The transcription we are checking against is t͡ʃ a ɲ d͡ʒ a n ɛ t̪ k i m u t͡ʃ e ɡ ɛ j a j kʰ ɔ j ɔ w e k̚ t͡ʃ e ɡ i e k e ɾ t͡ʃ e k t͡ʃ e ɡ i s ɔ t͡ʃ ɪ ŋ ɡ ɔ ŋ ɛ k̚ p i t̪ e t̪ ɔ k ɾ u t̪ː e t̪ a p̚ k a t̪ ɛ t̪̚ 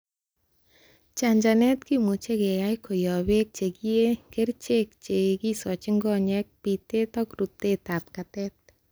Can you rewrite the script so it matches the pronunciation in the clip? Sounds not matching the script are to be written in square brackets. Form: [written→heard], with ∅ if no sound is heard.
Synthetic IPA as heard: t͡ʃ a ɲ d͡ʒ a n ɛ t̪ k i m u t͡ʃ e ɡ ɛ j a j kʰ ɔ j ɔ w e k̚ t͡ʃ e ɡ i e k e ɾ t͡ʃ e k t͡ʃ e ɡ i s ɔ t͡ʃ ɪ ŋ ɡ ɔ [ŋ→ɲ] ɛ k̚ p i t̪ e t̪ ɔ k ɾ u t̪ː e t̪ a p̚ k a t̪ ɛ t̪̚

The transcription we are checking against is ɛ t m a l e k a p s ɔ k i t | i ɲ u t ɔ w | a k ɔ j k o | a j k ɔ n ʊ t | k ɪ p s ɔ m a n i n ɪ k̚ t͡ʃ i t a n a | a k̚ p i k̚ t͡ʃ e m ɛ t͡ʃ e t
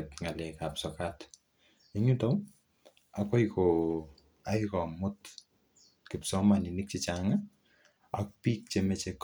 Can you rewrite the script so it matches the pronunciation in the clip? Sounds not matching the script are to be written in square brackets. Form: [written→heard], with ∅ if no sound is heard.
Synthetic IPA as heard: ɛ t [m→ŋ] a l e k a p s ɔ k [i→a] t | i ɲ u t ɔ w | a k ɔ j k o | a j k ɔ [n→m] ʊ t | k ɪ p s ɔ m a n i n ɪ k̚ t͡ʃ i [t→t͡ʃ] a [n→ŋ] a | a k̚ p i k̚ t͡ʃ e m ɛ t͡ʃ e [t→k]

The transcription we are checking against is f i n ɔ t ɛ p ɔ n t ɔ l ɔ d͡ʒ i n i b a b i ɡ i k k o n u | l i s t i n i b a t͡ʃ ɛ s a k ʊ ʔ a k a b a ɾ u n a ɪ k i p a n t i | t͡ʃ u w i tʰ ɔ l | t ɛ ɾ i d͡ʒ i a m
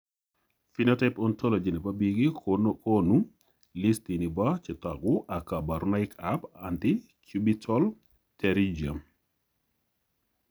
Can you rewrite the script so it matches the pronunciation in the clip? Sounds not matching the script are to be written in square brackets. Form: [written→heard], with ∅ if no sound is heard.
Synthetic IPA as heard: f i n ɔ t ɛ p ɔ n t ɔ l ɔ d͡ʒ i n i b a b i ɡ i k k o n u | l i s t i n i b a t͡ʃ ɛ [s→t] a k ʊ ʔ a k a b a ɾ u n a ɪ k [i→a] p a n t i | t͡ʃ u [w→b] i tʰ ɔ l | t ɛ ɾ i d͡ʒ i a m

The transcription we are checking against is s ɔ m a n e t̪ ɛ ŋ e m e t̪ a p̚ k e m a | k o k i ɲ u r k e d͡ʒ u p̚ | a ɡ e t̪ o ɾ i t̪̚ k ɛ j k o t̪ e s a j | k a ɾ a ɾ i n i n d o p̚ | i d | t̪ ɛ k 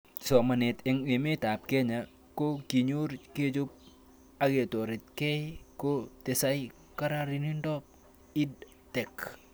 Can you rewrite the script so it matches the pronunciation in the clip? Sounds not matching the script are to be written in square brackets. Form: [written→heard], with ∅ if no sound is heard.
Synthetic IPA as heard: s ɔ m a n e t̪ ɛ ŋ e m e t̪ a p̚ k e [m→ɲ] a | k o k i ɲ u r k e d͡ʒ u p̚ | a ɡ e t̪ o ɾ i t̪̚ k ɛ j k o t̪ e s a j | k a ɾ a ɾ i n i n d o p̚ | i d | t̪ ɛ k

